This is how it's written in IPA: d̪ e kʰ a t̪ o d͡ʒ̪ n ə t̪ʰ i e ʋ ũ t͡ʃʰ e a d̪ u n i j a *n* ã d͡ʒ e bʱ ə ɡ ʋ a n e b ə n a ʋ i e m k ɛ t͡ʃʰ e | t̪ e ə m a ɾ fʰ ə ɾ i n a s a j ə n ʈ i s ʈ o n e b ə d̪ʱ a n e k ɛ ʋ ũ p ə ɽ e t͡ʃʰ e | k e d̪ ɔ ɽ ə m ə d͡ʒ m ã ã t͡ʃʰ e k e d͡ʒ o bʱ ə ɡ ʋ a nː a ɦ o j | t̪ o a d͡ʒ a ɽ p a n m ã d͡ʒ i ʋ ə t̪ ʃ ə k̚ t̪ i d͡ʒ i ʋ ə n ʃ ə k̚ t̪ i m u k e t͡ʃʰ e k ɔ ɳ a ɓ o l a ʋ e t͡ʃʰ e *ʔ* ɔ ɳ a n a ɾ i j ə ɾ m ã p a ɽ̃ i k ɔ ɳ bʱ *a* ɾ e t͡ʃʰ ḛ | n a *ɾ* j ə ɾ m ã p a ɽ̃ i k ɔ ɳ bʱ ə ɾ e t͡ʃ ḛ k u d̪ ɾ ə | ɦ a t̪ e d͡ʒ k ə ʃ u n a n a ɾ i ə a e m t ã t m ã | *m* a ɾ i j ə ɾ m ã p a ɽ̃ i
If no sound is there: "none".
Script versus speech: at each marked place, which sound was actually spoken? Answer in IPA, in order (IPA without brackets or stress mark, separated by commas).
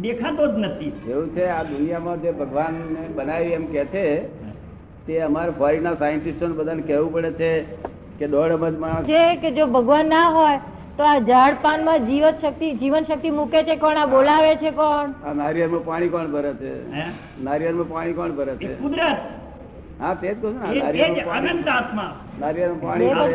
m, k, ə, ɾ, n